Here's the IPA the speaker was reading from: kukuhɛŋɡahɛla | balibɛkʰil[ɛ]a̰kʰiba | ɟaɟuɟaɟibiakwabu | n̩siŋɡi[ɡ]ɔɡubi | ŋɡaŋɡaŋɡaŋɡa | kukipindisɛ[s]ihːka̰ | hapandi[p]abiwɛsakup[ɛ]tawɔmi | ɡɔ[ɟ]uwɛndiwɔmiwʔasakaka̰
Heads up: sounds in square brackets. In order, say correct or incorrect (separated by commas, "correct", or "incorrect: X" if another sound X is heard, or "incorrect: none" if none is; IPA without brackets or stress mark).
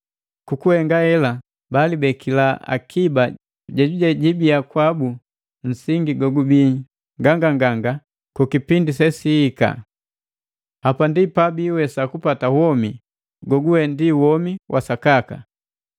incorrect: a, correct, correct, correct, incorrect: a, incorrect: ɡ